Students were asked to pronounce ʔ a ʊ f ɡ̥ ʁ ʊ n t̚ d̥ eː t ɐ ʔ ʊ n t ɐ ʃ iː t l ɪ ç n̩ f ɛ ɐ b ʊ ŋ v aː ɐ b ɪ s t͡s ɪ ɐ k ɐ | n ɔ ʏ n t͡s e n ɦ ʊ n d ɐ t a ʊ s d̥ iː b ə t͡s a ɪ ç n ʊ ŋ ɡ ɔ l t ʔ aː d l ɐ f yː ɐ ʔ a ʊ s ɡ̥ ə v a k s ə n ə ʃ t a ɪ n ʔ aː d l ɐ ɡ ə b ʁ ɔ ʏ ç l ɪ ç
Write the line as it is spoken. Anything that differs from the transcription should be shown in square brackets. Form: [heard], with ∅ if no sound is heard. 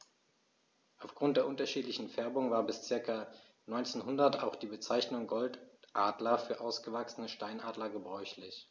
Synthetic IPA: ʔ a ʊ f ɡ̥ ʁ ʊ n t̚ d̥ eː [∅] ɐ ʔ ʊ n t ɐ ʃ iː t l ɪ ç n̩ f ɛ ɐ b ʊ ŋ v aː ɐ b ɪ s t͡s ɪ ɐ k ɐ | n ɔ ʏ n t͡s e n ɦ ʊ n d ɐ t a ʊ [x] d̥ iː b ə t͡s a ɪ ç n ʊ ŋ ɡ ɔ l t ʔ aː d l ɐ f yː ɐ ʔ a ʊ s ɡ̥ ə v a k s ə n ə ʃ t a ɪ n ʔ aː d l ɐ ɡ ə b ʁ ɔ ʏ ç l ɪ ç